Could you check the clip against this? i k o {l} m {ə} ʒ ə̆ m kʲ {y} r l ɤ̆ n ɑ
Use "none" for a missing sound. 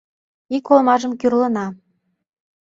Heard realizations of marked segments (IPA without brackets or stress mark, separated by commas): l, ɑ, y